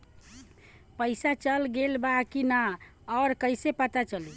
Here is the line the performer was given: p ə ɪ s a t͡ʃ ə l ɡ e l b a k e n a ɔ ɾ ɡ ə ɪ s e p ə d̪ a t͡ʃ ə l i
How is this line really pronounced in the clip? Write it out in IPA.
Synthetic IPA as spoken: p ə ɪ s a t͡ʃ ə l ɡ e l b a k i n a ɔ ɾ k ə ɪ s e p ə t̪ a t͡ʃ ə l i